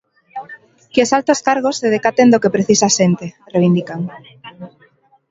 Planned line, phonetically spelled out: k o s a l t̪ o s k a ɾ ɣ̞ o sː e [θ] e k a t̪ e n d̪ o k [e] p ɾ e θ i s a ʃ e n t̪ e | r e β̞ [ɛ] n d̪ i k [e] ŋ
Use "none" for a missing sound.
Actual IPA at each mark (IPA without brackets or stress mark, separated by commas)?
ð, e, i, a